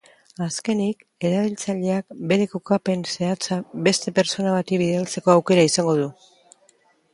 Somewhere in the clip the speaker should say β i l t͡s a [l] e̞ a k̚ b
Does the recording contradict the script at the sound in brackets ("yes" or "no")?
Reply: yes